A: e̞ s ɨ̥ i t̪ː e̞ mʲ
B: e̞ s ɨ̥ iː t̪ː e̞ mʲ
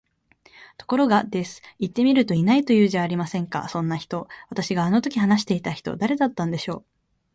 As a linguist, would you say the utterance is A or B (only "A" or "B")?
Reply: A